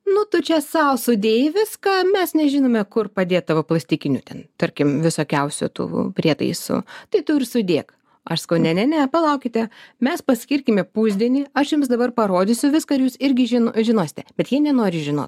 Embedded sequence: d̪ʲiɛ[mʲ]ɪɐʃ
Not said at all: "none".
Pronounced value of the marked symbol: nʲ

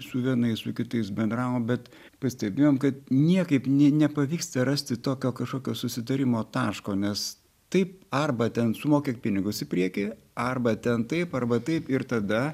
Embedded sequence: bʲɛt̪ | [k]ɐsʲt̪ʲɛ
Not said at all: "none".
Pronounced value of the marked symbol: p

